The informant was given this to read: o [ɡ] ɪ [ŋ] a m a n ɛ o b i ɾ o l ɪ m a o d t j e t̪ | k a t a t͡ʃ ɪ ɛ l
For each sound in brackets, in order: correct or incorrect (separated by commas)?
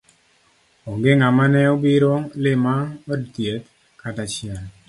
correct, correct